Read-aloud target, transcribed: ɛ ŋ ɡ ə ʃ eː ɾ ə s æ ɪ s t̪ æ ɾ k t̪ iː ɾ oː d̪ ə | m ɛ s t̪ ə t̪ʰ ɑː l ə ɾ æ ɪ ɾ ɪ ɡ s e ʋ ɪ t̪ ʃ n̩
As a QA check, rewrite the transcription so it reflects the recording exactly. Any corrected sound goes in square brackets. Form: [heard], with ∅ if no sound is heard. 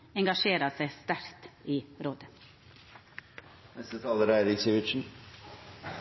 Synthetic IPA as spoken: ɛ ŋ ɡ [ɑ] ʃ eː ɾ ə s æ ɪ s t̪ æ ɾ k t̪ iː ɾ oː d̪ ə | [n] ɛ s t̪ ə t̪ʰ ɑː l ə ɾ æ ɪ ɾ ɪ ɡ s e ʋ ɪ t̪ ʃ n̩